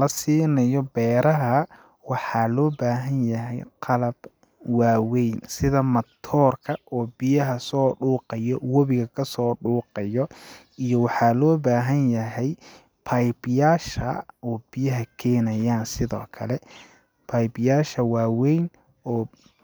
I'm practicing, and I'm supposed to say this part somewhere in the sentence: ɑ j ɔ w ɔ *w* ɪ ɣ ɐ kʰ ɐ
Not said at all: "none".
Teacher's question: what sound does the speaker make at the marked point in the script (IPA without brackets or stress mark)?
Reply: β